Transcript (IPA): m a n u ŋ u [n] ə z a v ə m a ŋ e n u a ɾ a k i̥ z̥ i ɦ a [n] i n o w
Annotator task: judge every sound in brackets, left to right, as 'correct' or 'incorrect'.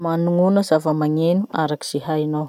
correct, incorrect: none

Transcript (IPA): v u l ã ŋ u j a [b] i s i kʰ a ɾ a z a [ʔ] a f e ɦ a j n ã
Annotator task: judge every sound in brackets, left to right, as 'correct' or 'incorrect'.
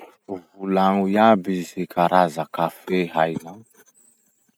correct, incorrect: k

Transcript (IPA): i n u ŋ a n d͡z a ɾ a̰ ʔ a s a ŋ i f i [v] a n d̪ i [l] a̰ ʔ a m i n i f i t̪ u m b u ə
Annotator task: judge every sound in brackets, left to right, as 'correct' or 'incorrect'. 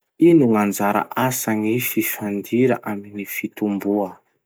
incorrect: f, incorrect: ɾ

